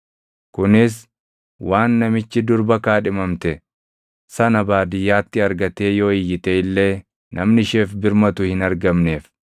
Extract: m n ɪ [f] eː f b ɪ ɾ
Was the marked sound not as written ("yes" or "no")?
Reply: yes